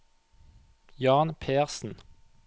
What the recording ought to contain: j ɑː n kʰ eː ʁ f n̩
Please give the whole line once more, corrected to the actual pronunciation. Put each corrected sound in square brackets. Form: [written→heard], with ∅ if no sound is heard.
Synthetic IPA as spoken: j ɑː n [kʰ→pʰ] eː ʁ [f→s] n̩